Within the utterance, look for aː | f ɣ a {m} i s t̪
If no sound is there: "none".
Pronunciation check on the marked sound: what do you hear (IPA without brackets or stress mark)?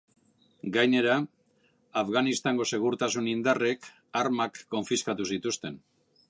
n